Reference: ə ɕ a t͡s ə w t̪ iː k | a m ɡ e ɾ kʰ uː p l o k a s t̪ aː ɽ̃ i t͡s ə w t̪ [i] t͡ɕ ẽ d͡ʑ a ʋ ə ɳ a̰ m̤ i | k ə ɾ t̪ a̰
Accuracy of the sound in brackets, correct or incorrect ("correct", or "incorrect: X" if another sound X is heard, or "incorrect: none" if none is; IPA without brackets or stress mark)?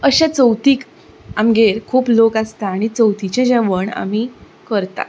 correct